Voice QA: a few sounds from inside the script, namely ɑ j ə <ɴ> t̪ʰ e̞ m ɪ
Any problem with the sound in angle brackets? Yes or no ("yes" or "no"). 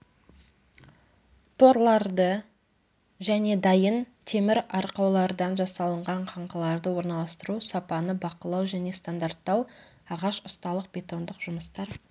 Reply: yes